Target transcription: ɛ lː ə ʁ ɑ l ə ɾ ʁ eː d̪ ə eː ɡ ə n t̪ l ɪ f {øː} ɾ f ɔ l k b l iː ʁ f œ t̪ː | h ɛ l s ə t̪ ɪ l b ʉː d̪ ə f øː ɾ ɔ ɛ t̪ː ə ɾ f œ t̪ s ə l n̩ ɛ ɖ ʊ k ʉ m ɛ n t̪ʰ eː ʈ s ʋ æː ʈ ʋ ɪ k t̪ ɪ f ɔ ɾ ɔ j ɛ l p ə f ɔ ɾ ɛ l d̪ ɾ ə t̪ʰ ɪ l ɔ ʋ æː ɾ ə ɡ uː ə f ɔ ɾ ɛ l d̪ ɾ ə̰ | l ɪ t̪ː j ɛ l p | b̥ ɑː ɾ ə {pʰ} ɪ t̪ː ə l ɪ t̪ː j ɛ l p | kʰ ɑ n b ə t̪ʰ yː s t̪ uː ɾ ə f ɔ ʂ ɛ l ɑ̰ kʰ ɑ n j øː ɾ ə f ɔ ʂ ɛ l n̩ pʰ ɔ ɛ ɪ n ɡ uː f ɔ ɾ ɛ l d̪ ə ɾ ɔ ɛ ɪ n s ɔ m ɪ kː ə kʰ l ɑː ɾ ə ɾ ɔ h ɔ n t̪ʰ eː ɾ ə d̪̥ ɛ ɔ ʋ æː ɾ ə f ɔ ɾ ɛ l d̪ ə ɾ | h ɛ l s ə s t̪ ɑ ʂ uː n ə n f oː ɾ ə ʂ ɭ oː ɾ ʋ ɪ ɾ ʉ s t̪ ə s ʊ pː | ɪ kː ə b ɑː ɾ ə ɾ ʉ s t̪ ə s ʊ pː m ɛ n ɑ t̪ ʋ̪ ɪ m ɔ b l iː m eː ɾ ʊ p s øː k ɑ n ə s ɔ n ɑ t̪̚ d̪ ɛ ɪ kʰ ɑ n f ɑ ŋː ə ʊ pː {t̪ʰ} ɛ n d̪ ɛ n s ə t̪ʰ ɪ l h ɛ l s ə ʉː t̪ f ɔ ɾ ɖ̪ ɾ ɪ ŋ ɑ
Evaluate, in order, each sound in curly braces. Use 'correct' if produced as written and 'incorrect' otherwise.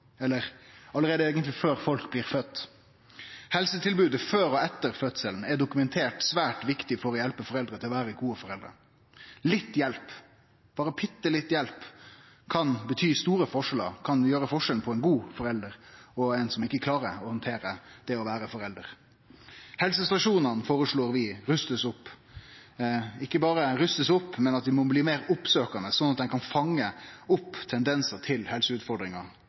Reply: correct, correct, correct

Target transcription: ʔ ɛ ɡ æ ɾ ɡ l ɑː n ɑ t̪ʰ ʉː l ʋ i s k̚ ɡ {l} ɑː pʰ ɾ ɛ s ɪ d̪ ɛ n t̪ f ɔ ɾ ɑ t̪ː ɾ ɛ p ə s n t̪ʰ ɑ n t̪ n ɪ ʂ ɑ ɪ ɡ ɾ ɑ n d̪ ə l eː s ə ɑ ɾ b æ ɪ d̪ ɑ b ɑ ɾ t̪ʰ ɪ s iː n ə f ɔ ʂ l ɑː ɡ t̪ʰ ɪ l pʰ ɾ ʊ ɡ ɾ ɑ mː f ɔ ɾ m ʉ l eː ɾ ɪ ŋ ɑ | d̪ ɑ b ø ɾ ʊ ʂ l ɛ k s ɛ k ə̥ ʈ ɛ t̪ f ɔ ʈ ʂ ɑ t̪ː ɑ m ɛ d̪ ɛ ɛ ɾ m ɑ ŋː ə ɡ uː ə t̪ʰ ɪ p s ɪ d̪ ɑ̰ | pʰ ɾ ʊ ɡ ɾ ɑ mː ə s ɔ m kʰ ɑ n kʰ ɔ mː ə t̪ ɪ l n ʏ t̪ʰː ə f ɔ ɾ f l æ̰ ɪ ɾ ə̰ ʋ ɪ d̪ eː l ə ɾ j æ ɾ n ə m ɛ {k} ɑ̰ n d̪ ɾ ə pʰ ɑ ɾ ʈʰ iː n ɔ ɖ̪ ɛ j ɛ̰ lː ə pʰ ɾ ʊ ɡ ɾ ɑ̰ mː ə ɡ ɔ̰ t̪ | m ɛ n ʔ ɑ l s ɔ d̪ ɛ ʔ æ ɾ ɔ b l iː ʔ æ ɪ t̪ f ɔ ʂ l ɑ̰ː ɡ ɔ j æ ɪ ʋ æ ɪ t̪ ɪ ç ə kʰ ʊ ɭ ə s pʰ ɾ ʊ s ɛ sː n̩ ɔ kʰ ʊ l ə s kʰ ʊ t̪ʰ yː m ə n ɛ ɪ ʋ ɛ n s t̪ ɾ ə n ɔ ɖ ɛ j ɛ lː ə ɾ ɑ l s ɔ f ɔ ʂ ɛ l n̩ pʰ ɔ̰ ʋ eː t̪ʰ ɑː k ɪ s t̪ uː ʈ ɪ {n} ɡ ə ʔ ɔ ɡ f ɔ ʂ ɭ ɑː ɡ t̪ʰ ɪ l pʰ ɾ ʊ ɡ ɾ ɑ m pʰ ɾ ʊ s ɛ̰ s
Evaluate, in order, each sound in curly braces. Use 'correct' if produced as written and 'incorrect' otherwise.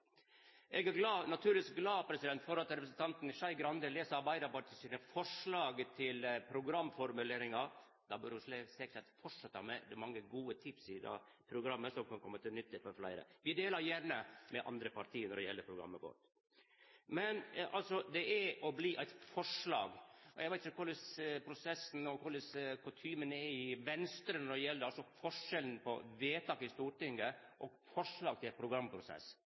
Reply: correct, incorrect, incorrect

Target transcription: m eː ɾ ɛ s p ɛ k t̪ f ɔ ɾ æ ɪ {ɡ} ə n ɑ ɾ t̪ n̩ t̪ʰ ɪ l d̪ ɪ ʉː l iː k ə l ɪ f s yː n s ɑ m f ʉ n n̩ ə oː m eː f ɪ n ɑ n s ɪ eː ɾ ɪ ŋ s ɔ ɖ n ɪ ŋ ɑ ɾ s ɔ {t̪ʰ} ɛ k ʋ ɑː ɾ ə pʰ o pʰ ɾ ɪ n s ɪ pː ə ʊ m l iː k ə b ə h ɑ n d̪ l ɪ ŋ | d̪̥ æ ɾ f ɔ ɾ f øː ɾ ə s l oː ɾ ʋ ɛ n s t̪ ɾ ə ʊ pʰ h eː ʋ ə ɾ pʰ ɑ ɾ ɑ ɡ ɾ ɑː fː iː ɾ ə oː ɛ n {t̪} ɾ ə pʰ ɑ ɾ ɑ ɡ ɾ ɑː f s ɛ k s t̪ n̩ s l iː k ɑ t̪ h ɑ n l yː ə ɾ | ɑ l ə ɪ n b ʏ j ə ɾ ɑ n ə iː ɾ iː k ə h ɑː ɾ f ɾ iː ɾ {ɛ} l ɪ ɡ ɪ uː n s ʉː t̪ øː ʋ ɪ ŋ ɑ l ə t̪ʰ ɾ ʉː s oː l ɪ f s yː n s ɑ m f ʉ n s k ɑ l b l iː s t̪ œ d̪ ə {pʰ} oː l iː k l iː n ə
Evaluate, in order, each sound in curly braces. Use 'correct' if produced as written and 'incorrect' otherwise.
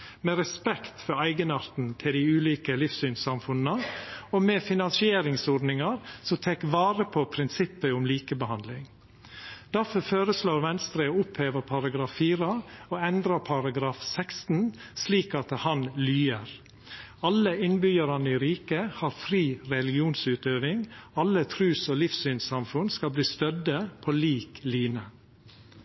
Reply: correct, correct, incorrect, correct, correct

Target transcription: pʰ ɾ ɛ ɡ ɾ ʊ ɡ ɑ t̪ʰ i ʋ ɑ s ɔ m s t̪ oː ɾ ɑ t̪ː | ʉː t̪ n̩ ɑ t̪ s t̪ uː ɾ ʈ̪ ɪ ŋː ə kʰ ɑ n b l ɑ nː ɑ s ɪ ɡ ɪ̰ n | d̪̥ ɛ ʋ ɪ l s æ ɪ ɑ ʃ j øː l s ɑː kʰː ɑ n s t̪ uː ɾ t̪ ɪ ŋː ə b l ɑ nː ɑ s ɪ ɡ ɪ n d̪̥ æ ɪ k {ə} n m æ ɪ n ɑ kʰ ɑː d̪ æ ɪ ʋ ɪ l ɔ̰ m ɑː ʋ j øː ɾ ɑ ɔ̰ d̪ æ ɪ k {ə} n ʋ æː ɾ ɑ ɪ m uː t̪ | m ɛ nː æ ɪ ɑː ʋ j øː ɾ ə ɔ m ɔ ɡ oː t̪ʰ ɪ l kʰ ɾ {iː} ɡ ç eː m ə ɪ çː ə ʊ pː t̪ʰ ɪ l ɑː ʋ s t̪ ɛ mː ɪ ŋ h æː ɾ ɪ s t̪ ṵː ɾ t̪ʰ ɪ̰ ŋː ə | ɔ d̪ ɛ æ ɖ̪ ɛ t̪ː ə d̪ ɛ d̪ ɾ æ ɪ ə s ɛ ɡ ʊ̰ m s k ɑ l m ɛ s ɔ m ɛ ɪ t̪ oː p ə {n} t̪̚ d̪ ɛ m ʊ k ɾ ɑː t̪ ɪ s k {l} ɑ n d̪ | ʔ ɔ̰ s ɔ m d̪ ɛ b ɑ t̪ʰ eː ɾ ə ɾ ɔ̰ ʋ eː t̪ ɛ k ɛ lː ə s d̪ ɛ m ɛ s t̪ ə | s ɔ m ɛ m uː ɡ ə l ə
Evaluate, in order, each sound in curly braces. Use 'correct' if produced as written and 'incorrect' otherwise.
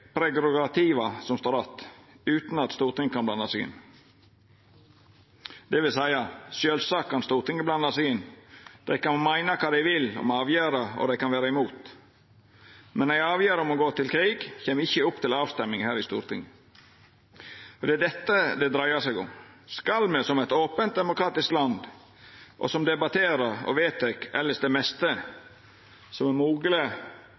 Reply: incorrect, incorrect, correct, correct, correct

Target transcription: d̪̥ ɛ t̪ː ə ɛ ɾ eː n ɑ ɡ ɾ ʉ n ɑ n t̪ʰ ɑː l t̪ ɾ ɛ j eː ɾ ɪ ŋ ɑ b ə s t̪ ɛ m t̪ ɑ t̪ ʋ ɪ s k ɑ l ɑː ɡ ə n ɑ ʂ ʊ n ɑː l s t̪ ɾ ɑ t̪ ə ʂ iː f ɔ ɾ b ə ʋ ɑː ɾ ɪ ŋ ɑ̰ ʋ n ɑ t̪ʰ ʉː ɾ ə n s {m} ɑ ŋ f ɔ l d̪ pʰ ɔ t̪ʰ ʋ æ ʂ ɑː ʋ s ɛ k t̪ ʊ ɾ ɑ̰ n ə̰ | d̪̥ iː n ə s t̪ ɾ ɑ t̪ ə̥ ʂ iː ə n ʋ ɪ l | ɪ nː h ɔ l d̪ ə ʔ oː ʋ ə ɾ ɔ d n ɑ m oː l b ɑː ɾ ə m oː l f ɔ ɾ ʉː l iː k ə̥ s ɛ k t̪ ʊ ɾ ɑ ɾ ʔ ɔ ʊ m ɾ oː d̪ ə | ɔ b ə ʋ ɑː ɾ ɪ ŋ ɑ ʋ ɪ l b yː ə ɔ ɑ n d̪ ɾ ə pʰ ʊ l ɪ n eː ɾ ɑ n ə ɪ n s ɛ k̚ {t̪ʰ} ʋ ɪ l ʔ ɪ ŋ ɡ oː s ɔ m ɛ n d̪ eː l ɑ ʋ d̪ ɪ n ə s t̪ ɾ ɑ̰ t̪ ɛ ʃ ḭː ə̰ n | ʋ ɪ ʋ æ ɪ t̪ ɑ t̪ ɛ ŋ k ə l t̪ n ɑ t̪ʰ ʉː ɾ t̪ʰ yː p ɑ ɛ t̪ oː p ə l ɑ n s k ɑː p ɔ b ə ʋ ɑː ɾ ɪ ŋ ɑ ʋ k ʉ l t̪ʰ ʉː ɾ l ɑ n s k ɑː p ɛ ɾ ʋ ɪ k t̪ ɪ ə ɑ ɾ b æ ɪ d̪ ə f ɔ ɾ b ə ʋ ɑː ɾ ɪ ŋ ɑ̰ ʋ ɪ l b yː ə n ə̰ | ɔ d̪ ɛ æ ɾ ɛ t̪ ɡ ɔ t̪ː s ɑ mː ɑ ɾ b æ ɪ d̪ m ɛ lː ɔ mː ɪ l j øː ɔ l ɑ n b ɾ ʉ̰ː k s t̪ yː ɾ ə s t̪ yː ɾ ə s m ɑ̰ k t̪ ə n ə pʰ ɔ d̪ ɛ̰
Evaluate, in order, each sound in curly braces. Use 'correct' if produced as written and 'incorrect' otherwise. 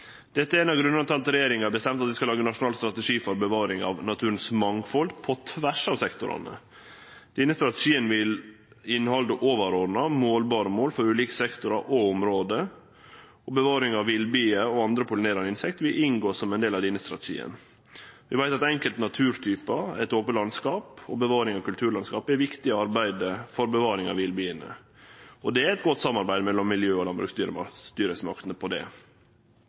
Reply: correct, incorrect

